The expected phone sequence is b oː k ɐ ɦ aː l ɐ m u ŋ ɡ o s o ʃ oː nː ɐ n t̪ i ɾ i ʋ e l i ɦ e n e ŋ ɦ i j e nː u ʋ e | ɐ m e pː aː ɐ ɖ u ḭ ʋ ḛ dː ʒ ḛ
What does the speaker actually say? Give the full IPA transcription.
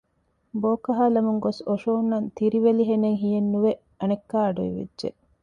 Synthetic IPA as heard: b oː k ɐ ɦ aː l ɐ m u ŋ ɡ o s o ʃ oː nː ɐ n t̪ i ɾ i ʋ e l i ɦ e n e ŋ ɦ i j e nː u ʋ e | ɐ n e kː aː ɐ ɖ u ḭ ʋ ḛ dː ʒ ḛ